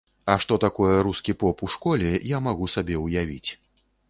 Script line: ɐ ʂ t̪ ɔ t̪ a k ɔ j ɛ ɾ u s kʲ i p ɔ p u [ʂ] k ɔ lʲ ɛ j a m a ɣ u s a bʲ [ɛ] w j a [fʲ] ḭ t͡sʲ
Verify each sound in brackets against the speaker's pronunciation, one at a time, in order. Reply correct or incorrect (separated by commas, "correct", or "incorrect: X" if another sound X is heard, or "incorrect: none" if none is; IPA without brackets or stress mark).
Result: correct, correct, incorrect: vʲ